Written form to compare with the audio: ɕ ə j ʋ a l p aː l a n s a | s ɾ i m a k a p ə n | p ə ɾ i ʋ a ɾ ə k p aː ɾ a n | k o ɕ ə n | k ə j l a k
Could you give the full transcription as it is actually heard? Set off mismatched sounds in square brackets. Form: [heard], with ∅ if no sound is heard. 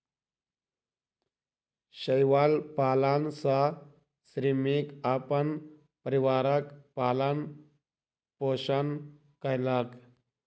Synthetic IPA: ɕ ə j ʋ a l p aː l a n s a | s ɾ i m [i] k a p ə n | p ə ɾ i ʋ a ɾ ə k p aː [l] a n | [p] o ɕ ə n | k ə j l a k